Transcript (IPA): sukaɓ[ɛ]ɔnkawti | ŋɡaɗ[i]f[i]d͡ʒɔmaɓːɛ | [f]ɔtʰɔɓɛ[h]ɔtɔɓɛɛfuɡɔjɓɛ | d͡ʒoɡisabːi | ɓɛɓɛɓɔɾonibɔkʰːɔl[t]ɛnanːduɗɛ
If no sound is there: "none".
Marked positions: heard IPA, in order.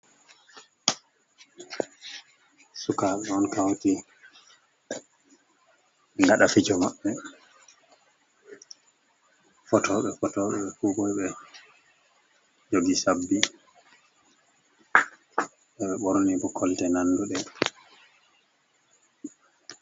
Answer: ɛ, a, i, f, f, t

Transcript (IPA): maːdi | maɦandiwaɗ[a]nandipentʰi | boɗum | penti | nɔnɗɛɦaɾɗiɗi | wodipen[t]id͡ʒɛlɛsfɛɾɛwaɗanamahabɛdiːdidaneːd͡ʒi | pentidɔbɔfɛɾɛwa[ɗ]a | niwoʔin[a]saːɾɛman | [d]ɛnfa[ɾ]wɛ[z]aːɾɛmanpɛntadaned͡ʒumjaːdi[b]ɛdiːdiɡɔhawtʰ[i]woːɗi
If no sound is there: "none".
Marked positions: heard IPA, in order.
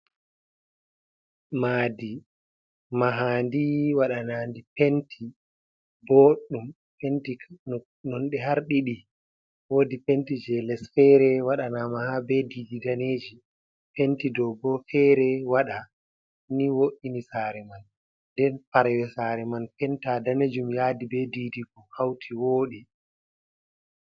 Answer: a, t, ɗ, i, d, ɾ, s, b, i

